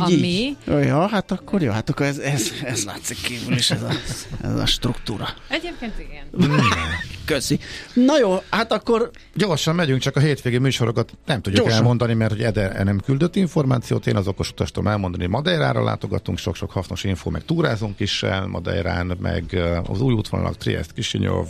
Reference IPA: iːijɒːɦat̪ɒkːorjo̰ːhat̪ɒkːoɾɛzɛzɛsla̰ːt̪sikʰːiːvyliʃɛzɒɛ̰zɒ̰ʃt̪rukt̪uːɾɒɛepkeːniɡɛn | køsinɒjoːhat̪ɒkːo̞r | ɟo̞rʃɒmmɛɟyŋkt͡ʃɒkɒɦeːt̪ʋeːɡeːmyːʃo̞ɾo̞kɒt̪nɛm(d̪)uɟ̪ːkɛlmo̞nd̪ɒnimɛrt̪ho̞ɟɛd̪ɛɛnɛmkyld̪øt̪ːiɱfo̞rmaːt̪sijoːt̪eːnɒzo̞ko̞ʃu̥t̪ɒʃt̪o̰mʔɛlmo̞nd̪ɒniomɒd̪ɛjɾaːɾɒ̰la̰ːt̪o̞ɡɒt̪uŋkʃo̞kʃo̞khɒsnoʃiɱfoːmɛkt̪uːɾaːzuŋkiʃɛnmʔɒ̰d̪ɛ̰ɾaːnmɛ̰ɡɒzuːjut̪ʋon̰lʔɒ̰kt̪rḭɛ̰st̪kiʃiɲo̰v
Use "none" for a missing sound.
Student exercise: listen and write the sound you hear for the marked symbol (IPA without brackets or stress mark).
t̪